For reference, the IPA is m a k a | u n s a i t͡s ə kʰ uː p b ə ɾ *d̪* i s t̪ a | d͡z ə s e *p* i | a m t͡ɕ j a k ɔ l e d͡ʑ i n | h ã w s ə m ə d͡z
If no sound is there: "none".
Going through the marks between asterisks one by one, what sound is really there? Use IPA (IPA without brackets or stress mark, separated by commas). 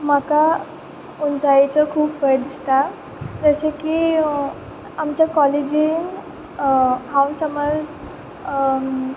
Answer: d̪, k